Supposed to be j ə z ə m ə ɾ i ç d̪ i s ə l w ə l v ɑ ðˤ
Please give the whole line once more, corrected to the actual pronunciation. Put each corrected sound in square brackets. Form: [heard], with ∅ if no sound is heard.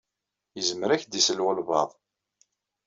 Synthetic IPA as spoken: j ə z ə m ə ɾ [æ] ç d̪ i s ə l w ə l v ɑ ðˤ